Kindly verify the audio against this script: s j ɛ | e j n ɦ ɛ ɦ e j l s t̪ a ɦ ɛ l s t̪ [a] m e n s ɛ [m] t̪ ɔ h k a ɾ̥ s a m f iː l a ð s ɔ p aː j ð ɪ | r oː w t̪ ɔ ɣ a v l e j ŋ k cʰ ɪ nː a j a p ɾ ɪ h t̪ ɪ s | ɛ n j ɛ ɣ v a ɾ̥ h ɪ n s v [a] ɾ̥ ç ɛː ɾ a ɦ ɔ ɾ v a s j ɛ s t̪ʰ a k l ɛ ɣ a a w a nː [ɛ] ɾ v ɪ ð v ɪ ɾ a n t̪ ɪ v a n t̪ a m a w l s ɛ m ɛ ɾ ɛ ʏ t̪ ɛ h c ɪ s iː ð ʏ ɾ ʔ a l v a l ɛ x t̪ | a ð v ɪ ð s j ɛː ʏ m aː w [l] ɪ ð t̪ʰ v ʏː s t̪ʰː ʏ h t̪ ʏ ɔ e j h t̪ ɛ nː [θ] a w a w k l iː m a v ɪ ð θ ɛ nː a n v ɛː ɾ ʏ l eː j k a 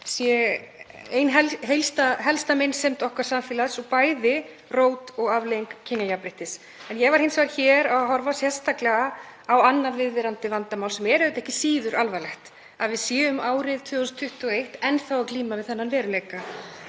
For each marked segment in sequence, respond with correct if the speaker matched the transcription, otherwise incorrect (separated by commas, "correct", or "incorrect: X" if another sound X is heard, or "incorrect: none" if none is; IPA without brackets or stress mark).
correct, correct, correct, incorrect: a, incorrect: ɾ, correct